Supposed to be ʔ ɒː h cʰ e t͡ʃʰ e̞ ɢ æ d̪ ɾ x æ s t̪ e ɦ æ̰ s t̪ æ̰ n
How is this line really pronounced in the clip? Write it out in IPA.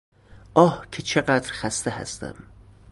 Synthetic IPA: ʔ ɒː h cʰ e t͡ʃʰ e̞ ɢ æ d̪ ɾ x æ s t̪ e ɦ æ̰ s t̪ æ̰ m